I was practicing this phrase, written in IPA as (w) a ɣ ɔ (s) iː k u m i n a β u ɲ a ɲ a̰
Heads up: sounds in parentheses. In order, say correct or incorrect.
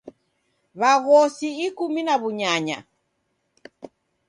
incorrect, correct

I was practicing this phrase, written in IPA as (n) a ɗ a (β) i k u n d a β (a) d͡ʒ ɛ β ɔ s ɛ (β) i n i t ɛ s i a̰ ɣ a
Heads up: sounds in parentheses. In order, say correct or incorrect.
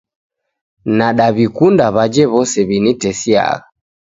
correct, correct, correct, correct

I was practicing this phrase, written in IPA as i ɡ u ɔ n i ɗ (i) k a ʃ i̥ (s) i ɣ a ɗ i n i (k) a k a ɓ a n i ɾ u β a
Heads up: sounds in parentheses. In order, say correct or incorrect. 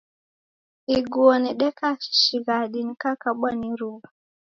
incorrect, incorrect, correct

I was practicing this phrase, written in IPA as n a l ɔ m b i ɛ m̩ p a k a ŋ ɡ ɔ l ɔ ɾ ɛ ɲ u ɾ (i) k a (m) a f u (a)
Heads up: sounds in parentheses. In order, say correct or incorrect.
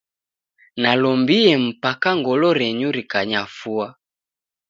correct, incorrect, correct

